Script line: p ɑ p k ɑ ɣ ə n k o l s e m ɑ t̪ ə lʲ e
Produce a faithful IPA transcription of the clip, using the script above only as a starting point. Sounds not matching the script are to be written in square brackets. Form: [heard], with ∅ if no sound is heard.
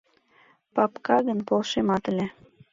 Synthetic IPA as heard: p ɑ p k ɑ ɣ ə n [p] o l [ʃ] e m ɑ t̪ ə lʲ e